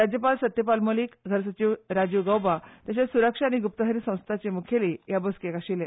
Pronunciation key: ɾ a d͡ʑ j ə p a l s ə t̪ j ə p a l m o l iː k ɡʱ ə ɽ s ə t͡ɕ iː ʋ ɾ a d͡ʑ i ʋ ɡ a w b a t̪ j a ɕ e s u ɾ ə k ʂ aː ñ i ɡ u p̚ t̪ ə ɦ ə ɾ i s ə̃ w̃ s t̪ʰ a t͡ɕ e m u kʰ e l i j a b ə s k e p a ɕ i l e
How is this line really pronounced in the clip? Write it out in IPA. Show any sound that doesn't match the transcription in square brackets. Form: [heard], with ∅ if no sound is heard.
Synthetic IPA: ɾ a d͡ʑ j ə p a l s ə t̪ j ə p a l m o l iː k ɡʱ ə [ɾ] s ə t͡ɕ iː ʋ ɾ a d͡ʑ i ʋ ɡ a w b a t̪ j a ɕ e s u ɾ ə k ʂ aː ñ i ɡ u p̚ t̪ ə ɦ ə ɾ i s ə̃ w̃ s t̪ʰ a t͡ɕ e m u kʰ e l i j a b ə s k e [k] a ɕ i l e

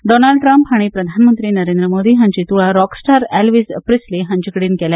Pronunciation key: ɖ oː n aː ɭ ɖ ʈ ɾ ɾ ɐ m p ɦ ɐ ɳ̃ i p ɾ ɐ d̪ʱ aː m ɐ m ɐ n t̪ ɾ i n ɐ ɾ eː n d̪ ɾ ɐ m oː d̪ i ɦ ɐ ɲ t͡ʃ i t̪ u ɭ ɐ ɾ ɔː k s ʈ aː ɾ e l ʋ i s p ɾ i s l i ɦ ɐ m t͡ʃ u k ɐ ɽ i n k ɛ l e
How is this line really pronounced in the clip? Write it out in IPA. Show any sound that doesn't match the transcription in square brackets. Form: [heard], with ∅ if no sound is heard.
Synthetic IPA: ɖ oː n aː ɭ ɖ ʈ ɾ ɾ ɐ m p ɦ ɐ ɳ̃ i p ɾ ɐ d̪ʱ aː [n] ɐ m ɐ n t̪ ɾ i n ɐ ɾ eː n d̪ ɾ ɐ m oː d̪ i ɦ ɐ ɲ t͡ʃ i t̪ u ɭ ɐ ɾ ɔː k s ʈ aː ɾ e l ʋ i s p ɾ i s l i ɦ ɐ [ɲ] t͡ʃ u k ɐ ɽ i n k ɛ l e

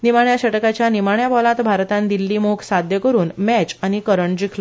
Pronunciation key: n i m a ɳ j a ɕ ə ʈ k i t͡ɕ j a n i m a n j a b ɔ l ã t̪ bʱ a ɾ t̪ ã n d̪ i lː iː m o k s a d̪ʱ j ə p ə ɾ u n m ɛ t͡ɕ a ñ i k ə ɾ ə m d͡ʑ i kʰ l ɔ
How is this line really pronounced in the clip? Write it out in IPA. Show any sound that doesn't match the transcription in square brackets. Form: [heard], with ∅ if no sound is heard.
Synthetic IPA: n i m a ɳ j a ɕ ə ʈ k [a] t͡ɕ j a n i m a [ɳ] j a b ɔ l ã t̪ bʱ a ɾ t̪ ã n d̪ i lː iː m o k s a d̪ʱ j ə [k] ə ɾ [uː] n m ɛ t͡ɕ a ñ i k ə ɾ ə [ɳ] d͡ʑ i kʰ l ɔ

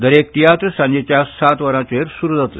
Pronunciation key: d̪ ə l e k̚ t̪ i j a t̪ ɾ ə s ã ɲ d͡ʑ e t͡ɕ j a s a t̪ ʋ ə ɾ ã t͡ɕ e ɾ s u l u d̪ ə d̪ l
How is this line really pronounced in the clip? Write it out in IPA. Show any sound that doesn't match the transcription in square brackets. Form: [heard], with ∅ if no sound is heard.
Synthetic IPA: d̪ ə [ɾ] e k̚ t̪ i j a t̪ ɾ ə s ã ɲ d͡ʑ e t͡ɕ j a s a t̪ ʋ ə ɾ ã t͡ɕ e ɾ s u [ɾ] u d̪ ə [t̪] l

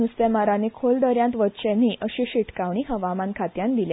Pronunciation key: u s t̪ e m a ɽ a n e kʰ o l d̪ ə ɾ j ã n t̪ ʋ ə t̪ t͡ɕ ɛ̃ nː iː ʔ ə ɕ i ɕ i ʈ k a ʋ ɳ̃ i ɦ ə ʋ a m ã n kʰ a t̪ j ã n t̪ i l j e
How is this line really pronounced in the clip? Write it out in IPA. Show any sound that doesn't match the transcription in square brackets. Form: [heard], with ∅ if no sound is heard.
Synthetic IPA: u s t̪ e m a [ɾ] a n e kʰ o l d̪ ə ɾ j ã n t̪ ʋ ə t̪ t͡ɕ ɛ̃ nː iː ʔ ə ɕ i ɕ i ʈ k a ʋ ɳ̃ i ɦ ə ʋ a m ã n kʰ a t̪ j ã n [d̪] i l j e

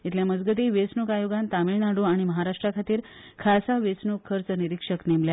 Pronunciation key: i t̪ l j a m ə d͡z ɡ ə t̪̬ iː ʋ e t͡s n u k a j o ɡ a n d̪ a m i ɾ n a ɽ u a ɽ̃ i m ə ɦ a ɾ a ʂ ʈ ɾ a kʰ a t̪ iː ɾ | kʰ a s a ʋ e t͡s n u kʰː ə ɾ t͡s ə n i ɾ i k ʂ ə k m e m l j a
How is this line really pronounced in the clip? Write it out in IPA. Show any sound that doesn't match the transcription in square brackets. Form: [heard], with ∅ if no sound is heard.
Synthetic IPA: i t̪ l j a m ə d͡z ɡ ə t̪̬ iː ʋ e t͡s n u k a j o ɡ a n [t̪] a m i [ɭ] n a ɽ u a ɽ̃ i m ə ɦ a ɾ a ʂ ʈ ɾ a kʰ a t̪ iː ɾ | kʰ a s a ʋ e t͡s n u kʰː ə ɾ t͡s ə n i ɾ i k ʂ ə k [n] e m l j a

